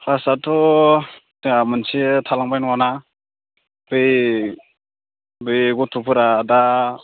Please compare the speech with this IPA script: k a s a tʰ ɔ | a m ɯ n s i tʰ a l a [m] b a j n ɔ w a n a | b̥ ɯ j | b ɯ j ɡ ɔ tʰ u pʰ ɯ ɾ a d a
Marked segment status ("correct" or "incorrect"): incorrect